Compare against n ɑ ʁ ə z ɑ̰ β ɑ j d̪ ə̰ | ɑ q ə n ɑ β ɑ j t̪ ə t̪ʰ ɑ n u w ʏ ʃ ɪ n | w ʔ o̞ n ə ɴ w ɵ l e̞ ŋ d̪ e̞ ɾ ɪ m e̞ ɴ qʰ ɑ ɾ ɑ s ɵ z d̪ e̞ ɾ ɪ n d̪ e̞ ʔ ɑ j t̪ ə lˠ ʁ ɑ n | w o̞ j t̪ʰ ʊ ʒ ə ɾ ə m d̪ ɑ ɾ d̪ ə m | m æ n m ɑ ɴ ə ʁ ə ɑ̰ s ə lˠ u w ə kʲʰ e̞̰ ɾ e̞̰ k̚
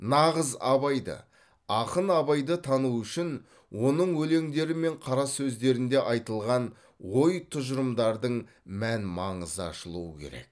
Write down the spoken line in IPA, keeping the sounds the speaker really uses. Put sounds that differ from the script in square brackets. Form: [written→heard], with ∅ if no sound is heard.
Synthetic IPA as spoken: n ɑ ʁ ə z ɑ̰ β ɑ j d̪ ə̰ | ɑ q ə n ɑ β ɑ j [t̪→d̪] ə t̪ʰ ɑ n u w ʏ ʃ ɪ n | w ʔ o̞ n ə ɴ w ɵ l e̞ ŋ d̪ e̞ ɾ ɪ m e̞ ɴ qʰ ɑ ɾ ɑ s ɵ z d̪ e̞ ɾ ɪ n d̪ e̞ ʔ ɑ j t̪ ə lˠ ʁ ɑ n | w o̞ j t̪ʰ ʊ ʒ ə ɾ ə m d̪ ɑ ɾ d̪ ə [m→ɴ] | m æ n m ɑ ɴ ə [ʁ→z] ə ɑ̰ [s→ʃ] ə lˠ u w ə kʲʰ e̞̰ ɾ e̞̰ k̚

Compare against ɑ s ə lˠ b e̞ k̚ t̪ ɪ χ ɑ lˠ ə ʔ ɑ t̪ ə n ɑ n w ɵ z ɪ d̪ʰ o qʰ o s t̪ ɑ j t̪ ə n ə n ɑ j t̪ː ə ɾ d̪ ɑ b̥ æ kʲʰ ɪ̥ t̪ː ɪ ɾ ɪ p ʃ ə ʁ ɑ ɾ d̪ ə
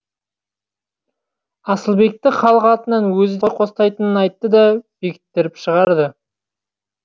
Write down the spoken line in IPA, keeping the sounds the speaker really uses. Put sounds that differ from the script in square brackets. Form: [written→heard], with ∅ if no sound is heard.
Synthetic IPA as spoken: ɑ s ə lˠ b e̞ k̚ t̪ ɪ χ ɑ lˠ ə [ʔ→q] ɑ t̪ ə n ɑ n w ɵ z ɪ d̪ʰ o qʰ o s t̪ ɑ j t̪ ə n ə n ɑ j t̪ː ə [ɾ→∅] d̪ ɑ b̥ [æ→e] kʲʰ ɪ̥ t̪ː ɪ ɾ ɪ p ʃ ə ʁ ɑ ɾ d̪ ə

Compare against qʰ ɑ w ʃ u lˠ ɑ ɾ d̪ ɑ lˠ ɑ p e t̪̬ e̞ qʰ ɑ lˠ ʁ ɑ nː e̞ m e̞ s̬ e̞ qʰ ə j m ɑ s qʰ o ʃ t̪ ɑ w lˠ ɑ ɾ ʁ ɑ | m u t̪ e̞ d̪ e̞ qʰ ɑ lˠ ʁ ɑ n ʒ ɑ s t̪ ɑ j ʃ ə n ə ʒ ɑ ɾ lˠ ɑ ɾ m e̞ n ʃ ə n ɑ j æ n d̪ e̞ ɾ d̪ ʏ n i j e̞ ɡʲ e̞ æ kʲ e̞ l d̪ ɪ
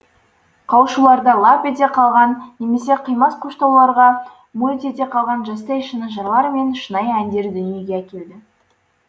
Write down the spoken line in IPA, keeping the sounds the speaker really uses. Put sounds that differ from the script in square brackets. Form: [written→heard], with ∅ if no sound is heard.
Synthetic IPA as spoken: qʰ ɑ w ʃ u lˠ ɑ ɾ d̪ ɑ lˠ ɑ p e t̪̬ e̞ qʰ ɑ lˠ ʁ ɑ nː e̞ m e̞ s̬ e̞ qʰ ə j m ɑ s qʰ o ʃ t̪ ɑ w lˠ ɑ ɾ ʁ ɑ | m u t̪ e̞ [d̪→t̪] e̞ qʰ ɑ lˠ ʁ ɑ n ʒ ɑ s t̪ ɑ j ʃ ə n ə ʒ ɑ ɾ lˠ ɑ ɾ m e̞ n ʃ ə n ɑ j æ n d̪ e̞ ɾ d̪ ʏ n i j e̞ ɡʲ e̞ æ kʲ e̞ l d̪ ɪ

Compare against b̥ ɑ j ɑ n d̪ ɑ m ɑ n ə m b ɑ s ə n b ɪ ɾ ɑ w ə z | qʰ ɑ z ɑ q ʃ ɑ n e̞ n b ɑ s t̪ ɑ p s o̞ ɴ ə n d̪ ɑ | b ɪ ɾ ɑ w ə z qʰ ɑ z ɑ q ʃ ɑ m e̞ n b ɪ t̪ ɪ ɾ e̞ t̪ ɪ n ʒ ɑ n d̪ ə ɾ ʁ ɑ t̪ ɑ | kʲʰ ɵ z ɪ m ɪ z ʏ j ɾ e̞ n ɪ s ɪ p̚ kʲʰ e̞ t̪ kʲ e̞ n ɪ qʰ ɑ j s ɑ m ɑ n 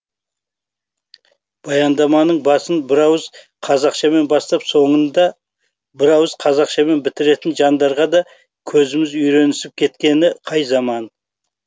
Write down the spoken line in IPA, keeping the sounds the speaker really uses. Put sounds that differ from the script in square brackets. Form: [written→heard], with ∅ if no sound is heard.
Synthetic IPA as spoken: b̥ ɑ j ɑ n d̪ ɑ m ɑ n ə [m→ɴ] b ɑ s ə n b ɪ ɾ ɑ w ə z | qʰ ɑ z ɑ q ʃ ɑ [n→m] e̞ n b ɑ s t̪ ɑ p s o̞ ɴ ə n d̪ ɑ | b ɪ ɾ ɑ w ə z qʰ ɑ z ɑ q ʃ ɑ m e̞ n b ɪ t̪ ɪ ɾ e̞ t̪ ɪ n ʒ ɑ n d̪ [ə→ɑ] ɾ ʁ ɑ [t̪→d̪] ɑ | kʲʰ ɵ z ɪ m ɪ z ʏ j ɾ e̞ n ɪ s ɪ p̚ kʲʰ e̞ t̪ kʲ e̞ n ɪ qʰ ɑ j [s→z] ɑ m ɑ n

